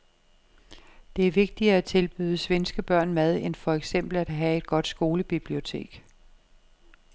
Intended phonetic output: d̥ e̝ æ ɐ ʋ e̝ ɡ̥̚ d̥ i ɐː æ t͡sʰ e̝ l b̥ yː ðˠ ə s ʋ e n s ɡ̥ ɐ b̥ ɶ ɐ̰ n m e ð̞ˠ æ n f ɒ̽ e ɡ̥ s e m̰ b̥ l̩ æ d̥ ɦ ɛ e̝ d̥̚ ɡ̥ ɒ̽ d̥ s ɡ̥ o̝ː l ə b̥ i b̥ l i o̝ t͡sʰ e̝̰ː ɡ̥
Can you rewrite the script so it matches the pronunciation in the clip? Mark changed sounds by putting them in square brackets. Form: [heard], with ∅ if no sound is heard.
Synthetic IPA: d̥ e̝ æ ɐ ʋ e̝ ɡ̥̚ d̥ i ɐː æ t͡sʰ e̝ l b̥ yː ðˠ ə s ʋ e n s ɡ̥ [ə] b̥ ɶ ɐ̰ n m [æ] ð̞ˠ [e] n f ɒ̽ e ɡ̥ s e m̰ b̥ l̩ æ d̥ ɦ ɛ e̝ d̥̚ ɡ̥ ɒ̽ d̥ s ɡ̥ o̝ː l ə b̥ i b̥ l i o̝ t͡sʰ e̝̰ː ɡ̥